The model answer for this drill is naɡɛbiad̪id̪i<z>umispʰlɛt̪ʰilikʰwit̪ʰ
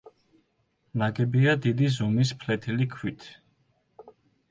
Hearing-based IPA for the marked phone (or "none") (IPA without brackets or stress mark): z